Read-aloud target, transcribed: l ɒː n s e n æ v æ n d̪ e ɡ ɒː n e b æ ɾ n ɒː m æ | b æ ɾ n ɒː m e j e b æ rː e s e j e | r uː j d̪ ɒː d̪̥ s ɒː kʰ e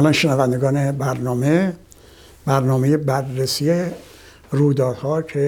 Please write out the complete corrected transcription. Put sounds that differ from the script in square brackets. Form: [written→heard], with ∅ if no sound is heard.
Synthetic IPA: l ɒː n [s→ʃ] e n æ v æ n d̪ e ɡ ɒː n e b æ ɾ n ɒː m [æ→e] | b æ ɾ n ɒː m e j e b æ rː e s [e→i] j e | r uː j d̪ ɒː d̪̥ [s→h] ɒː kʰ e